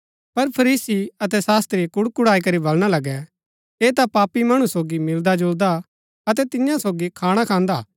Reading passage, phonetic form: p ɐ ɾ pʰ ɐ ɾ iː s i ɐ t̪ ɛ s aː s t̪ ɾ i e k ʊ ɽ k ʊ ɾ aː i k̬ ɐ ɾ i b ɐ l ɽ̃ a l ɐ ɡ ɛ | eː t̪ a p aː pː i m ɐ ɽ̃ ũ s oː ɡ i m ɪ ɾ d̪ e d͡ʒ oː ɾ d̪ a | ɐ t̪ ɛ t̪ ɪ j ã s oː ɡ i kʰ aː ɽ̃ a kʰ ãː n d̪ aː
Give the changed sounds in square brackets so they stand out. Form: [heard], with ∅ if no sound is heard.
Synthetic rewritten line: p ɐ ɾ pʰ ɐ ɾ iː s i ɐ t̪ ɛ s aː s t̪ ɾ i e k ʊ ɽ k ʊ [ɽ] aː i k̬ ɐ ɾ i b ɐ l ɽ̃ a l ɐ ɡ ɛ | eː t̪ a p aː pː i m ɐ ɽ̃ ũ s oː ɡ i m ɪ [l] d̪ [a] d͡ʒ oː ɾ d̪ a | ɐ t̪ ɛ t̪ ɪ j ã s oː ɡ i kʰ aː ɽ̃ a kʰ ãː n d̪ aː